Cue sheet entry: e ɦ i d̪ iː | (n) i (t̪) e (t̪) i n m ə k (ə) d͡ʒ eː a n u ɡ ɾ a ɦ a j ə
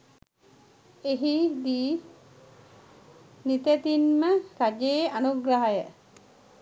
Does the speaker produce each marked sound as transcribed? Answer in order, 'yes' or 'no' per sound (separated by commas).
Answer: yes, yes, yes, no